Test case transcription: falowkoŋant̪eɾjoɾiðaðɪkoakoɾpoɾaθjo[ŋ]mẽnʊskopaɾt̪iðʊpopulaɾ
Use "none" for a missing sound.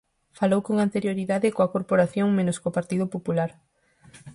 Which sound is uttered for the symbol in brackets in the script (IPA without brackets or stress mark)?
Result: ŋ